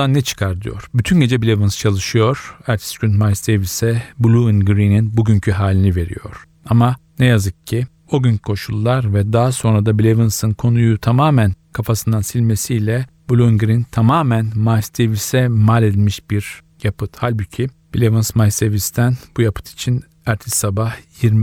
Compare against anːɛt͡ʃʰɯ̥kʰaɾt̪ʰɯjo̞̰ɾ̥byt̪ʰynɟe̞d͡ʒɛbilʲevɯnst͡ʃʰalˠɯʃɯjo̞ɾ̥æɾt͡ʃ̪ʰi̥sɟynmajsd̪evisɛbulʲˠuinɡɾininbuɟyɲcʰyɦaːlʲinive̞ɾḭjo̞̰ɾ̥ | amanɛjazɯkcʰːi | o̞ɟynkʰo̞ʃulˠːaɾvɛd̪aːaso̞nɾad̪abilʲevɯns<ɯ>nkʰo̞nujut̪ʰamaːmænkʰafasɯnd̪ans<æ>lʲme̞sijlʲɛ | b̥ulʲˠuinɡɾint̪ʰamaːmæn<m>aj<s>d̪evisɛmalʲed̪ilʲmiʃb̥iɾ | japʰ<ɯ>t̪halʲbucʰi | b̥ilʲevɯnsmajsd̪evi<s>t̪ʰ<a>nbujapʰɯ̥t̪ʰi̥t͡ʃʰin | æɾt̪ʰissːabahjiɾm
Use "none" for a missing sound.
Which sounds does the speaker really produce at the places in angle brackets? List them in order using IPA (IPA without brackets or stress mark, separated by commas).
ɯ, i, m, s, ɯ, s, æ